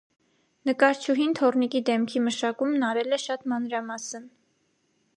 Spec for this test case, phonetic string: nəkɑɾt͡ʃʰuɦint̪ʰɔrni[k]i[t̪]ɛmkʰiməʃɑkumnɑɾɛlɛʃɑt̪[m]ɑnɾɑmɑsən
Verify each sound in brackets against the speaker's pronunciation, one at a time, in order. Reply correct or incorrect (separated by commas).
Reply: correct, incorrect, correct